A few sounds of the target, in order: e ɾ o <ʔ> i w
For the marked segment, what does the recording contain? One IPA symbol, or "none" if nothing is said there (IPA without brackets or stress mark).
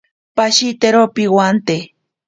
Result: p